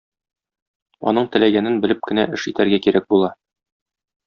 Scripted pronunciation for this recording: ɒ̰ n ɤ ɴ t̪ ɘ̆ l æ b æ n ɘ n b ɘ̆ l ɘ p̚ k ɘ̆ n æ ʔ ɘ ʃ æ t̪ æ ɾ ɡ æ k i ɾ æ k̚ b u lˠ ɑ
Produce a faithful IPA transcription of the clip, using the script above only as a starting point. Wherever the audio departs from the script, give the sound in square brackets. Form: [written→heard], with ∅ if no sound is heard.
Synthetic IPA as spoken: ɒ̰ n ɤ ɴ t̪ ɘ̆ l æ [b→ɡ] æ n ɘ n b ɘ̆ l ɘ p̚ k ɘ̆ n æ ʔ ɘ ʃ [æ→i] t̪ æ ɾ ɡ æ k i ɾ æ k̚ b u lˠ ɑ